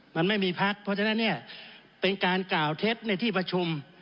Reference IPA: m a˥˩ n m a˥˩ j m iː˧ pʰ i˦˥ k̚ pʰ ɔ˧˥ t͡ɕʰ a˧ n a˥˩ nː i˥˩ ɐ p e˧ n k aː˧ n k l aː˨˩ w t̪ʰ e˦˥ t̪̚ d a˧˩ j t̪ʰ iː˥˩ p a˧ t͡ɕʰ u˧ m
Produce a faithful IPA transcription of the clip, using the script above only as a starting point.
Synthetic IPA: m a˧ n m a˥˩ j m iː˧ pʰ a˦˥ k̚ pʰ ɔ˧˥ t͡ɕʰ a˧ n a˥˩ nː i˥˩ ɐ p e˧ n k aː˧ n k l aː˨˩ w t̪ʰ e˦˥ t̪̚ n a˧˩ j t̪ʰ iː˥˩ p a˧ t͡ɕʰ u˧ m